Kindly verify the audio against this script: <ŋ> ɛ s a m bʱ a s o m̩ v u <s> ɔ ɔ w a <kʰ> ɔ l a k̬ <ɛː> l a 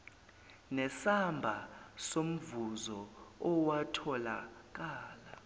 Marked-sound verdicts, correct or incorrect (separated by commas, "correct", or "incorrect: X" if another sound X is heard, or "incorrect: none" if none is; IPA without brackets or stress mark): incorrect: n, incorrect: z, incorrect: tʰ, incorrect: aː